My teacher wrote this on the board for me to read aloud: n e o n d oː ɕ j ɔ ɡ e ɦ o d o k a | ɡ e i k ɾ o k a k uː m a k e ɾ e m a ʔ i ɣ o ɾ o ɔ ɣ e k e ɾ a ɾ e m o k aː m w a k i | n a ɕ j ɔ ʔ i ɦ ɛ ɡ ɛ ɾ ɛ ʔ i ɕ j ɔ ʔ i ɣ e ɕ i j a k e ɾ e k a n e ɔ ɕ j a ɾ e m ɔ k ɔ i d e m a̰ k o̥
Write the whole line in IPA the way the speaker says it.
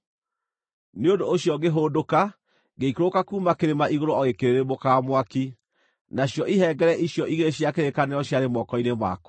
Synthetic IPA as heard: n e o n d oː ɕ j ɔ ɡ e ɦ o d o k a | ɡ e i k ɾ o k a k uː m a k e ɾ e m a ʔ i ɣ o ɾ o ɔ ɣ e k e ɾ e ɾ e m o k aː m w a k i | n a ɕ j ɔ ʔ i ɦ ɛ ɡ ɛ ɾ ɛ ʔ i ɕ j ɔ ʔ i ɣ e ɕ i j a k e ɾ e k a n e ɔ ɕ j a ɾ e m ɔ k ɔ i n e m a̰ k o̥